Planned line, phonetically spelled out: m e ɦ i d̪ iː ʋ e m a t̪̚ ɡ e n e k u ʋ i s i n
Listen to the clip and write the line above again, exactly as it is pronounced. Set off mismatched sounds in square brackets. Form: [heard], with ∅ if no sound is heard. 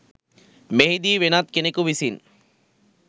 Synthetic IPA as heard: m e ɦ i d̪ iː ʋ e [n] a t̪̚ [k] e n e k u ʋ i s i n